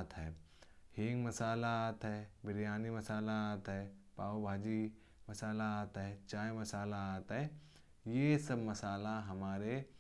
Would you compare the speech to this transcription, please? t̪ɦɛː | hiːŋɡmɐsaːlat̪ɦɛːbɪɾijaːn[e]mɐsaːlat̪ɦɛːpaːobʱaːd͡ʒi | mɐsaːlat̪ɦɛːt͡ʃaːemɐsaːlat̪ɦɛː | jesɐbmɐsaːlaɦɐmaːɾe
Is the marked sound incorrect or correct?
incorrect